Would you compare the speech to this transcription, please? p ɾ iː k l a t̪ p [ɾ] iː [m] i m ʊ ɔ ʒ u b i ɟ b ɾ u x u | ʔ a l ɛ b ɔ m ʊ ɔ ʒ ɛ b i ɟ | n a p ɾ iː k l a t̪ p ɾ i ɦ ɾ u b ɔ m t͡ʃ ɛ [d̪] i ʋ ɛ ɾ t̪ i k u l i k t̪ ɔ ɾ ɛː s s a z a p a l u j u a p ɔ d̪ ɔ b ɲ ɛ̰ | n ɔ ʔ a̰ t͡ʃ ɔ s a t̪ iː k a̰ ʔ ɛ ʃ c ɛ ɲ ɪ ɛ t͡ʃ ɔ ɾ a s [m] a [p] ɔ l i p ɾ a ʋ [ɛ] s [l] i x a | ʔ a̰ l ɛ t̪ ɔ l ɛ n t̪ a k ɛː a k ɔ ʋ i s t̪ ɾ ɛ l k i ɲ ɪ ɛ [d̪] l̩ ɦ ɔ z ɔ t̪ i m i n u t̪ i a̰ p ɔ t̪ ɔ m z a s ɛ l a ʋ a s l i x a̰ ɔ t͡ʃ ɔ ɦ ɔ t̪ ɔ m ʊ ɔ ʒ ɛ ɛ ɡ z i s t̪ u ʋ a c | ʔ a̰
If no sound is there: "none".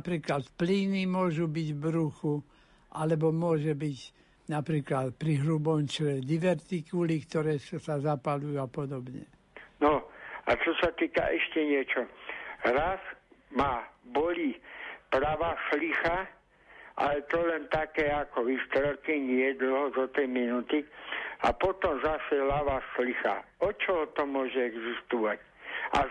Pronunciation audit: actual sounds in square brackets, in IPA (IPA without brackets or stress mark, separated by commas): l, n, d̪, m, b, a, l, d̪